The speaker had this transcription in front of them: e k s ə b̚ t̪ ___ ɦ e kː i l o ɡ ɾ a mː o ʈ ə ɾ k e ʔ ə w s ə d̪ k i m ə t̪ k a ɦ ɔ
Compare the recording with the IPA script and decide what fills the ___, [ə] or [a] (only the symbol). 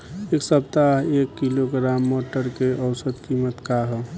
a